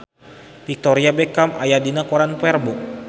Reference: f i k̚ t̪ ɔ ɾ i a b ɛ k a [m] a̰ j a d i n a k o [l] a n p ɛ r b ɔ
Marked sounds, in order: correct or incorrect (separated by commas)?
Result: correct, incorrect